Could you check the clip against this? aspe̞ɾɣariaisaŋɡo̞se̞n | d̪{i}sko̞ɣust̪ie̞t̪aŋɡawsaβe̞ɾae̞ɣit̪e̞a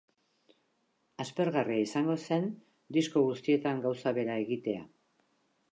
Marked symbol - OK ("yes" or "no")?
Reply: yes